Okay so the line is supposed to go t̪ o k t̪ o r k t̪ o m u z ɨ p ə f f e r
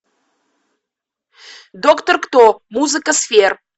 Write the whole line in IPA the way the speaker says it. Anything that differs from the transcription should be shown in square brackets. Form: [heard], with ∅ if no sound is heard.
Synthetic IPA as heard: [d̪] o k t̪ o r k t̪ o m u z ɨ [k] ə [s] f e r